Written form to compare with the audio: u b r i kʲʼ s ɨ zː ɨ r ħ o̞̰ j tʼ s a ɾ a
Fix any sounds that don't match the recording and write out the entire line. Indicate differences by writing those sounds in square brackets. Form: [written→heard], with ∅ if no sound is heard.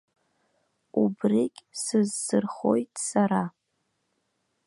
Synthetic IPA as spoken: u b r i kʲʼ s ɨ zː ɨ r [ħ→χ] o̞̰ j tʼ s a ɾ a